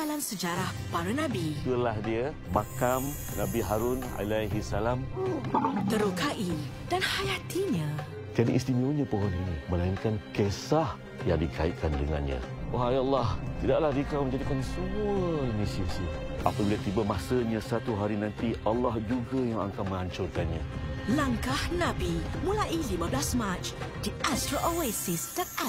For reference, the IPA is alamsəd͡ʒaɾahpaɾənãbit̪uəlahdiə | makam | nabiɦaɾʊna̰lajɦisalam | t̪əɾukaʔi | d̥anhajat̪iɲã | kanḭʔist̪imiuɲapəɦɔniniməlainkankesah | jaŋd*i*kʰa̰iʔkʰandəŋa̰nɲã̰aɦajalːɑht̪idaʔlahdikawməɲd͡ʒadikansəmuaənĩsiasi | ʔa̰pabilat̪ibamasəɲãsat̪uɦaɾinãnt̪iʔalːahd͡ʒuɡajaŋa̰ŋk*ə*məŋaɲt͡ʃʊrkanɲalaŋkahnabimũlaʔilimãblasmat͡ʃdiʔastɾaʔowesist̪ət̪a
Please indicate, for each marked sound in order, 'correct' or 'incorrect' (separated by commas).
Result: correct, incorrect